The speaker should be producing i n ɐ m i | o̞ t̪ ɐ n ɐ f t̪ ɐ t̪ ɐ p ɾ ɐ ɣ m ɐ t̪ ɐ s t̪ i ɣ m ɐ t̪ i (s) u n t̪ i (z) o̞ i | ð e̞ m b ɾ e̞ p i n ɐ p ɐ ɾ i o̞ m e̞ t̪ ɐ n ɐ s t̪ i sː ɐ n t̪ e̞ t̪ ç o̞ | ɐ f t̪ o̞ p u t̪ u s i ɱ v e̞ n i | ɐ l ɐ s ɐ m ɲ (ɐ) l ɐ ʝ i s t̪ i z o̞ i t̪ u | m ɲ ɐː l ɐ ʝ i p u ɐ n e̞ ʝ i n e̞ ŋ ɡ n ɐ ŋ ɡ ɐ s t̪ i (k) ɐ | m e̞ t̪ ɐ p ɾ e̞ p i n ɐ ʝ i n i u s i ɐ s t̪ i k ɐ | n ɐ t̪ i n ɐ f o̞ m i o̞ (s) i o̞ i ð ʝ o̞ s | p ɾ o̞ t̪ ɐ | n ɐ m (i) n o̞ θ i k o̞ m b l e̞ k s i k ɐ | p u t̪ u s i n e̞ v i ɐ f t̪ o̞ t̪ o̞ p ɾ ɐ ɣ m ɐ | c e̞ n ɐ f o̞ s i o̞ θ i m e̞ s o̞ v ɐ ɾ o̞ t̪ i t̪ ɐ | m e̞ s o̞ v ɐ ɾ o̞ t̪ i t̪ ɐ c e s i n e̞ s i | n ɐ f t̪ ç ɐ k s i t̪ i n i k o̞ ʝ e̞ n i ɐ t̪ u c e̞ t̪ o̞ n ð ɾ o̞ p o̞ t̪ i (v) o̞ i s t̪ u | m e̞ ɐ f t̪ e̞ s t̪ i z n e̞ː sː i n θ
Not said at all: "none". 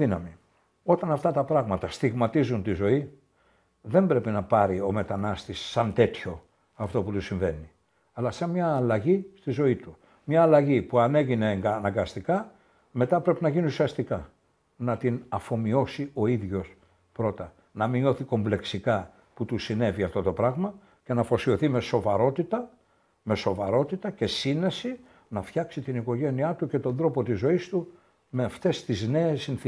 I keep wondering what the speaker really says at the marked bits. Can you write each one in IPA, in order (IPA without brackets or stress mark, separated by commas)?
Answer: z, z, ɐː, k, s, i, z